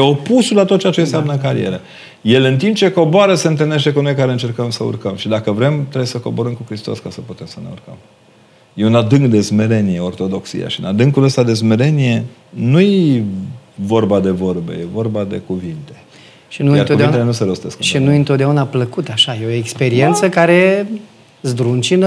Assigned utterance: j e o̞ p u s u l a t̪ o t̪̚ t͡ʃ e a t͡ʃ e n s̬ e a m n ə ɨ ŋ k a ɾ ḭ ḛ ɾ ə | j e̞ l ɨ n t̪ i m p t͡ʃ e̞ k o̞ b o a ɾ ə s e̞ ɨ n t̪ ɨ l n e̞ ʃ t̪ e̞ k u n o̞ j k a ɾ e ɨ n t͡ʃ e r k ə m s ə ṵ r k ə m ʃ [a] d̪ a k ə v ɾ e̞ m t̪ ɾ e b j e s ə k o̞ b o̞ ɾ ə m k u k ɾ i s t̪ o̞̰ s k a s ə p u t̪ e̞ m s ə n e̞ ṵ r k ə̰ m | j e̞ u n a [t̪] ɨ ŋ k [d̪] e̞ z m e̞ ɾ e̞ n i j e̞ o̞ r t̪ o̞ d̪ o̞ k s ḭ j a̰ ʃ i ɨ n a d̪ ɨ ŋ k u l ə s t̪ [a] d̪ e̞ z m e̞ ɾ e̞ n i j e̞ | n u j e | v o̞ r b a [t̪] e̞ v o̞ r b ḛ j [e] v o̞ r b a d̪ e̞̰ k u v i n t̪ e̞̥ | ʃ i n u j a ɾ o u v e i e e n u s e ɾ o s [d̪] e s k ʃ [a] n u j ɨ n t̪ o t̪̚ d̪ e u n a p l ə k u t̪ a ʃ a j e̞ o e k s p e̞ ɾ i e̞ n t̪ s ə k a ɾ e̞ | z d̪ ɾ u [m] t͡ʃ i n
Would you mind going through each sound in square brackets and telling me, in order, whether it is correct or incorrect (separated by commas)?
incorrect, incorrect, correct, correct, incorrect, correct, incorrect, incorrect, incorrect